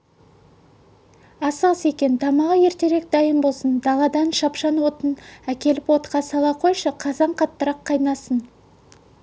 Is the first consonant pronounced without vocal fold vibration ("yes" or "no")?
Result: yes